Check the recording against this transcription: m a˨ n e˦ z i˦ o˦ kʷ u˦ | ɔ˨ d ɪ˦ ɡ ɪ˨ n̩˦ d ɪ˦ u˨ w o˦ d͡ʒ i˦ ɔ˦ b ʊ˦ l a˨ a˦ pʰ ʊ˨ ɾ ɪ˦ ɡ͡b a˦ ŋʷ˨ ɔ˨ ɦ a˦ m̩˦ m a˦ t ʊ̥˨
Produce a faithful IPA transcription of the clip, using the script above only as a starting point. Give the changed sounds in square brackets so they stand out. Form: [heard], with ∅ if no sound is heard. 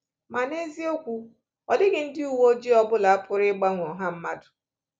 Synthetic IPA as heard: m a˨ n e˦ z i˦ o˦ kʷ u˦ | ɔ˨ d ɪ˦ ɡ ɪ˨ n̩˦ d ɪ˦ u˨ w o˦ d͡ʒ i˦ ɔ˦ b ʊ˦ l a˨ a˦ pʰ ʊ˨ ɾ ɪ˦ ɡ͡b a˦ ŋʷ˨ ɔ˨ ɦ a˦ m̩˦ m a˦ [d] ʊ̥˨